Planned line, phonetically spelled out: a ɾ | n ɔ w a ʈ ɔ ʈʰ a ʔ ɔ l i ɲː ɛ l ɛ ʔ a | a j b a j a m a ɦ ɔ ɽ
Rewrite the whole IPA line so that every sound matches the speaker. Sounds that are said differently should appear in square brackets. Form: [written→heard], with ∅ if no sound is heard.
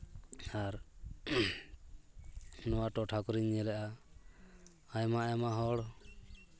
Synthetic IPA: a ɾ | n ɔ w a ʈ ɔ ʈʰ a [ʔ→k] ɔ [l→ɾ] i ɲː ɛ l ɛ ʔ a | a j [b→m] a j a m a ɦ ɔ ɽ

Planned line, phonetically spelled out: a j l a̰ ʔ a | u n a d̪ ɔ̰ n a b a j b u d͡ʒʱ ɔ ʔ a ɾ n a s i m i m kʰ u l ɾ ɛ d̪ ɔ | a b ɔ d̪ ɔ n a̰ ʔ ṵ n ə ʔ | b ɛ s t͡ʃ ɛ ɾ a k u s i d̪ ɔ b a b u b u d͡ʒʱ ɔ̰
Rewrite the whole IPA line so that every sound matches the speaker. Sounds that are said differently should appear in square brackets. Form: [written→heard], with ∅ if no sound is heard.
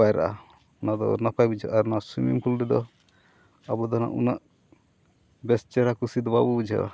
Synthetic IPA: a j [l→ɾ] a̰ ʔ a | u n a d̪ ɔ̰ n a [b→p] a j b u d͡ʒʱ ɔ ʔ a ɾ n a s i m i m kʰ u l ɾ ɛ d̪ ɔ | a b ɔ d̪ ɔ n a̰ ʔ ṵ n [ə→a] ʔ | b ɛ s t͡ʃ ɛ ɾ a k u s i d̪ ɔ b a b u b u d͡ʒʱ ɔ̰

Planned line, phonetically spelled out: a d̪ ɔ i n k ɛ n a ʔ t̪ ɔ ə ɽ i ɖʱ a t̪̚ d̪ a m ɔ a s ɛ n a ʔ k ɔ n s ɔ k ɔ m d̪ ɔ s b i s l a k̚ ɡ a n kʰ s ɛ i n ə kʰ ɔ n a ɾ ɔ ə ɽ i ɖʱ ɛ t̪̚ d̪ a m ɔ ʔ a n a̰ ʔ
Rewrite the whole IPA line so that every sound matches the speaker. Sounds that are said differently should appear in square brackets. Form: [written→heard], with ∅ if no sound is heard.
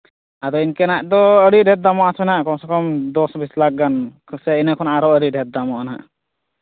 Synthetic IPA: a d̪ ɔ i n k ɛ n a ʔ [t̪→d̪] ɔ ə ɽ i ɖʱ [a→ɛ] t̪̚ d̪ a m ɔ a s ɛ n a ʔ k ɔ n s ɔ k ɔ m d̪ ɔ s b i s l a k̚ ɡ a n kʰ s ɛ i n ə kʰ ɔ n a ɾ ɔ ə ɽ i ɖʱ ɛ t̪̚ d̪ a m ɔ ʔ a n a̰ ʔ

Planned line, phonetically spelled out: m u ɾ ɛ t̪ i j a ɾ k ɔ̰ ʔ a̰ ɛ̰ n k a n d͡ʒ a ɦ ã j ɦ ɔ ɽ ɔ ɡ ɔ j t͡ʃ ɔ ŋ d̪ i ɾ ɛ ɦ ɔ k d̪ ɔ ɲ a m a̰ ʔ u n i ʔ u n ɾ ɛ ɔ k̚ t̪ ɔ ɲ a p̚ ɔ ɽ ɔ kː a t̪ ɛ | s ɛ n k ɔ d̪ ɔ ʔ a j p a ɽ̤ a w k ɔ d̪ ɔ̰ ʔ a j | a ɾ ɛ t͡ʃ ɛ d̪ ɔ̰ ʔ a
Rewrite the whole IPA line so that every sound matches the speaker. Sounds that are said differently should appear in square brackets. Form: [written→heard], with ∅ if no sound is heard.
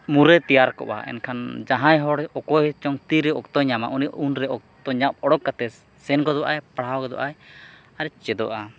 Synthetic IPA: m u ɾ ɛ t̪ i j a ɾ k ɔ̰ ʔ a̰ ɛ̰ n [k→kʰ] a n d͡ʒ a ɦ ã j ɦ ɔ ɽ ɔ [ɡ→k] ɔ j t͡ʃ ɔ ŋ [d̪→t̪] i ɾ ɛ [ɦ→∅] ɔ k [d̪→t̪] ɔ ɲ a m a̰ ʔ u n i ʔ u n ɾ ɛ ɔ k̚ t̪ ɔ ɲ a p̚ ɔ ɽ ɔ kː a t̪ ɛ | s ɛ n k ɔ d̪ ɔ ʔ a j p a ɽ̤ a w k ɔ d̪ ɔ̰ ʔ a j | a ɾ ɛ t͡ʃ ɛ d̪ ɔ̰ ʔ a

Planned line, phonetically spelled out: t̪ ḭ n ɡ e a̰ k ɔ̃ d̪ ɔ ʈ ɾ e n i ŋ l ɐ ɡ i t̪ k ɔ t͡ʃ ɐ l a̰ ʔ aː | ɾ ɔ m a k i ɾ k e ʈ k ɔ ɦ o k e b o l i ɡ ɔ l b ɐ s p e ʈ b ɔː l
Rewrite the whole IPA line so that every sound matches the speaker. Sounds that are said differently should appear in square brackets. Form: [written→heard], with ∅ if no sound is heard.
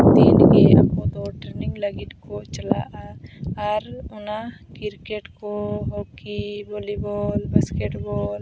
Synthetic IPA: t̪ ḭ n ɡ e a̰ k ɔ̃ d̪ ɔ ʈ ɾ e n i ŋ l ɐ ɡ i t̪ k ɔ t͡ʃ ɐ l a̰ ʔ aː | ɾ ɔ [m→n] a k i ɾ k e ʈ k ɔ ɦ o k [e→i] b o l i [ɡ→b] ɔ l b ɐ s [p→k] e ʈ b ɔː l

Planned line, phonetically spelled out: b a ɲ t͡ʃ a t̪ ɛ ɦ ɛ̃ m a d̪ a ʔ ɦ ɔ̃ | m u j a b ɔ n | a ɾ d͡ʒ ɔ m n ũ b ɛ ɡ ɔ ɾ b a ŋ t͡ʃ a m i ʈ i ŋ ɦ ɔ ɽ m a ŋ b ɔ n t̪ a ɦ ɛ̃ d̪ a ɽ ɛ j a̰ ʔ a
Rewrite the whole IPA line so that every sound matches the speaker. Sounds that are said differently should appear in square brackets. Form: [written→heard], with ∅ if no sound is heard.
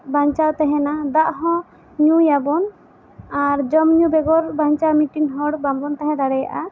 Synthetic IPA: b a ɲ t͡ʃ a t̪ ɛ ɦ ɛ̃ [m→n] a d̪ a ʔ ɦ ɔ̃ | [m→ɲ] u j a b ɔ n | a ɾ d͡ʒ ɔ m [n→ɲ] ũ b ɛ ɡ ɔ ɾ b a [ŋ→ɲ] t͡ʃ a m i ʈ i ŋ ɦ ɔ ɽ [m→b] a [ŋ→m] b ɔ n t̪ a ɦ ɛ̃ d̪ a ɽ ɛ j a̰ ʔ a

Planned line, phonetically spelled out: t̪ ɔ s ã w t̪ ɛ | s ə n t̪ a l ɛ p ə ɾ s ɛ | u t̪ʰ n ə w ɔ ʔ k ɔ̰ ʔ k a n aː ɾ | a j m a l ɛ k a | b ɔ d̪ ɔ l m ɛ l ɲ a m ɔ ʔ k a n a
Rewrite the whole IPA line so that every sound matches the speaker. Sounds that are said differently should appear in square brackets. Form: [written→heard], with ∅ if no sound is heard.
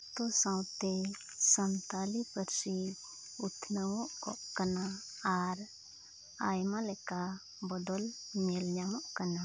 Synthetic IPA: t̪ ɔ s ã w t̪ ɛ | s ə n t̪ a l [ɛ→i] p ə ɾ s [ɛ→i] | u t̪ʰ n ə w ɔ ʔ k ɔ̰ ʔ k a n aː ɾ | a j m a l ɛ k a | b ɔ d̪ ɔ l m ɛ l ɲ a m ɔ ʔ k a n a

